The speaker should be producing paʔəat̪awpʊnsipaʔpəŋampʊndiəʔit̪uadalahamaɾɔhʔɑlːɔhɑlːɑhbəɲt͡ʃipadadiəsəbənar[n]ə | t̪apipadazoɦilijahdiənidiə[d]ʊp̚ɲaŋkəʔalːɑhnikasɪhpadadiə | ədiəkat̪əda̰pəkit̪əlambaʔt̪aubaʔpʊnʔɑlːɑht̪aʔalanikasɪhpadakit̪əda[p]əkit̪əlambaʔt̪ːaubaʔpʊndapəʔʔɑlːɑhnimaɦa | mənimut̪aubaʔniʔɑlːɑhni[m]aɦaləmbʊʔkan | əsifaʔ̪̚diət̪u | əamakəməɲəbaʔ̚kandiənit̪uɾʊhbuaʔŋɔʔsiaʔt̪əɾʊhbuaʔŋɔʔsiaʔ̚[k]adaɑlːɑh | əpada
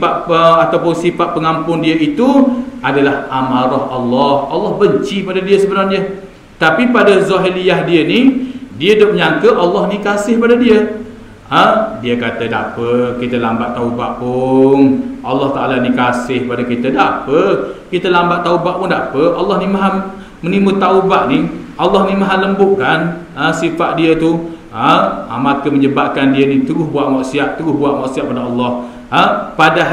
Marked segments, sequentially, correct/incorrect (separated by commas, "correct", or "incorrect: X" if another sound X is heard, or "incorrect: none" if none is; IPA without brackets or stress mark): incorrect: ɲ, correct, correct, correct, incorrect: p